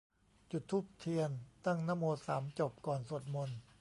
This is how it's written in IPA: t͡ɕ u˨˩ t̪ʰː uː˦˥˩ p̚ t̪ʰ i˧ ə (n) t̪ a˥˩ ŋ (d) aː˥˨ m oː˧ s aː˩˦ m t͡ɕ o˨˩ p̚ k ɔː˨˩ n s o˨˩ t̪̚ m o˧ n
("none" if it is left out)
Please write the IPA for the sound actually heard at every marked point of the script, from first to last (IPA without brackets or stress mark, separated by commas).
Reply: n, n